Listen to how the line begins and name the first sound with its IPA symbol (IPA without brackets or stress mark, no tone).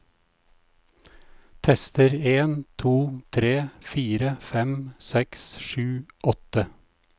t̪ʰ